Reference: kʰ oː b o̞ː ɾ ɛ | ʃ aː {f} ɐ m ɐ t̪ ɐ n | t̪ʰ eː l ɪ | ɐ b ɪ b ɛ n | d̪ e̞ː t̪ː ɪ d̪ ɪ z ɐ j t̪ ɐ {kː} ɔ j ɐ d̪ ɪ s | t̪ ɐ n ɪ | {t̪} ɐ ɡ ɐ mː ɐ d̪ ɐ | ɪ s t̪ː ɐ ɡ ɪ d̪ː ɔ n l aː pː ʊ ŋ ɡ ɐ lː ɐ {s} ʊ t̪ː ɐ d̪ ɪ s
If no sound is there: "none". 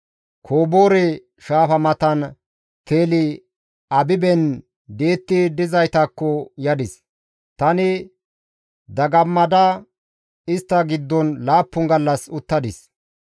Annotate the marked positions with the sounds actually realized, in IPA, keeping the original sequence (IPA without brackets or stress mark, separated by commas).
f, kː, d̪, s